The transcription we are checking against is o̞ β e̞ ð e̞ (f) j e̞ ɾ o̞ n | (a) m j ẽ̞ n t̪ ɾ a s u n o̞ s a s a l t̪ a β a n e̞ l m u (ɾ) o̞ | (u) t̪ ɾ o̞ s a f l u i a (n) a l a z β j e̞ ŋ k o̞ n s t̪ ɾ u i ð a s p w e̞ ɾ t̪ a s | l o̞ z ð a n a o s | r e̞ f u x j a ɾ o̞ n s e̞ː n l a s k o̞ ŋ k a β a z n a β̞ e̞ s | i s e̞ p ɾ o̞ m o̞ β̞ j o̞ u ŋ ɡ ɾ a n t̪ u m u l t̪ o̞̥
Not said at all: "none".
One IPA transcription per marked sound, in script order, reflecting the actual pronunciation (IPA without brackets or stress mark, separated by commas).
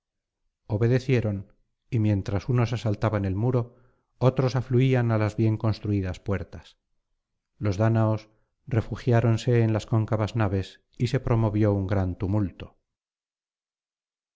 θ, i, ɾ, o, n